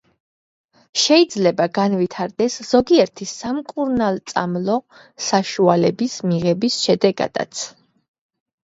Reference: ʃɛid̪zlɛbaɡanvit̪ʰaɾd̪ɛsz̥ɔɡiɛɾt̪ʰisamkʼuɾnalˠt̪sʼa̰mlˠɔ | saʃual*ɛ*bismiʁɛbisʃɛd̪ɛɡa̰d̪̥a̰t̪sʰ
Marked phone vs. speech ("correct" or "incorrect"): correct